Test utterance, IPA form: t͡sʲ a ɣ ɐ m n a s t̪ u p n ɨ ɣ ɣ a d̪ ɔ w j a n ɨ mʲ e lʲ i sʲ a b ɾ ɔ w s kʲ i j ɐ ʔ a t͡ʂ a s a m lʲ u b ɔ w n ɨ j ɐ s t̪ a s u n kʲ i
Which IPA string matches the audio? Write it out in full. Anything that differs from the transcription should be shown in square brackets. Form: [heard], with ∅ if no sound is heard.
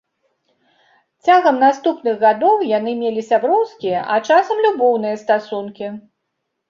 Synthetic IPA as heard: t͡sʲ a ɣ ɐ m n a s t̪ u p n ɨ ɣ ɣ a d̪ ɔ w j a n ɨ mʲ e lʲ i sʲ a b ɾ ɔ w s kʲ i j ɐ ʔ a t͡ʂ a s [ɐ] m lʲ u b ɔ w n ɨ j ɐ s t̪ a s u n kʲ i